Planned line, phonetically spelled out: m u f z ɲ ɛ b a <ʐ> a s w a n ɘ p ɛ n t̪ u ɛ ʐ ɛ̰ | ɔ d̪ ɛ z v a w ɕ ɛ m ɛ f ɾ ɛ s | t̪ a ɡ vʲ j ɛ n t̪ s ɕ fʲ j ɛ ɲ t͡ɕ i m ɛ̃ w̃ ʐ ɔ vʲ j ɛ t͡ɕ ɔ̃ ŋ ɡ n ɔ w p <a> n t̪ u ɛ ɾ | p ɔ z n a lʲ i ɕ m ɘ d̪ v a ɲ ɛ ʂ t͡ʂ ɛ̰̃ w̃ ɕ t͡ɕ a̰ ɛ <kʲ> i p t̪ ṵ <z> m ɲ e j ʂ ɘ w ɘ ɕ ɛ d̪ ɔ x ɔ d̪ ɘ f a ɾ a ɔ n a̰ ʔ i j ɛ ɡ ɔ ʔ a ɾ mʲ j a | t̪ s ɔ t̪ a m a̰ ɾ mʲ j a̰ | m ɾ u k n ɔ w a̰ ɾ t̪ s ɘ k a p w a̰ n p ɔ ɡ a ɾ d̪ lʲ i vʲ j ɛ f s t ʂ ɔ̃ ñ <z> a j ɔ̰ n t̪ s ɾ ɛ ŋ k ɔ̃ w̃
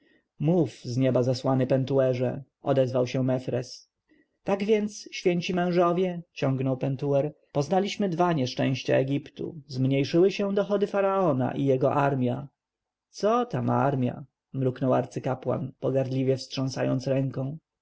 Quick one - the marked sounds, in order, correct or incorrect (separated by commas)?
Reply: incorrect, incorrect, incorrect, correct, incorrect